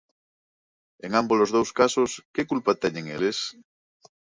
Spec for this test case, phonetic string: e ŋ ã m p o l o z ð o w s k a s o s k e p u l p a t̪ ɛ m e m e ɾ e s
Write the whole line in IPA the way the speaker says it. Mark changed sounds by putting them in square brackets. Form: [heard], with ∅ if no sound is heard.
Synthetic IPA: e ŋ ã m [b] o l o z ð o w s k a s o s k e [k] u l p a t̪ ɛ [ɲ] e [ŋ] e [l] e s